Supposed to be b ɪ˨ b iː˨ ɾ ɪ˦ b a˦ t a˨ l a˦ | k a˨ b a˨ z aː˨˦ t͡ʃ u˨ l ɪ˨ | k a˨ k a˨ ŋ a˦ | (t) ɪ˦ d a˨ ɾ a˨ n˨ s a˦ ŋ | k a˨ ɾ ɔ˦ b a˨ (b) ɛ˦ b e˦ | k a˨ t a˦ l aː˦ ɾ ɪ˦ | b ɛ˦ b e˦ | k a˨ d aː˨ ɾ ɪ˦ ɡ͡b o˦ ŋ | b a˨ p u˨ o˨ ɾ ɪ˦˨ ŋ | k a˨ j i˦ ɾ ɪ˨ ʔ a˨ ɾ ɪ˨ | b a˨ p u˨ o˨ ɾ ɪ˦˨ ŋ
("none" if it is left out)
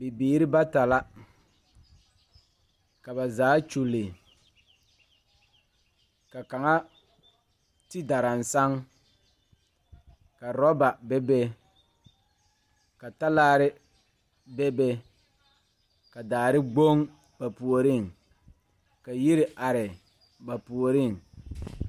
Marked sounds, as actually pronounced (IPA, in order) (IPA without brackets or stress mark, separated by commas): t, b